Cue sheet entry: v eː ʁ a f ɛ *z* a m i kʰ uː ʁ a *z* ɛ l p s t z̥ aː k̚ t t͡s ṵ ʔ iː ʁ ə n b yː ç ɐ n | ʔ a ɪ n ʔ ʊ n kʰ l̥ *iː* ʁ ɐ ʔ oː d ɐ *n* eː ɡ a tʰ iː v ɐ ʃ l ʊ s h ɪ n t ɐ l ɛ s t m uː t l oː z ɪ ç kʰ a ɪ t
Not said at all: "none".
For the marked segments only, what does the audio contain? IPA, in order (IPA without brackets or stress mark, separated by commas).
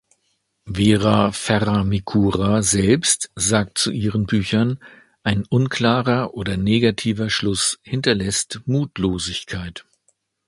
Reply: ʁ, z, aː, n